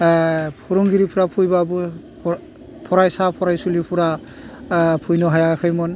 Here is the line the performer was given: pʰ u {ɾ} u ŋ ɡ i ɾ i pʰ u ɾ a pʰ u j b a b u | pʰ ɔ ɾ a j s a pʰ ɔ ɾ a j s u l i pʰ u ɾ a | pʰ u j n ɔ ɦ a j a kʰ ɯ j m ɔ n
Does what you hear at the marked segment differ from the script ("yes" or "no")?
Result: no